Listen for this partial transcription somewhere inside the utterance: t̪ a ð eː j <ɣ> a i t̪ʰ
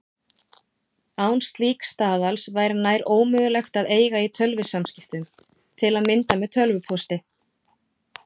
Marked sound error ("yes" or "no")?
no